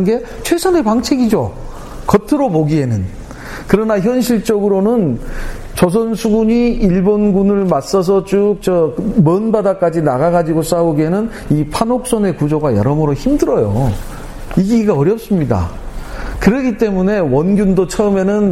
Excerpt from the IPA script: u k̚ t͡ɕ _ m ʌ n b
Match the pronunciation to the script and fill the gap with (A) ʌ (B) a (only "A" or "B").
A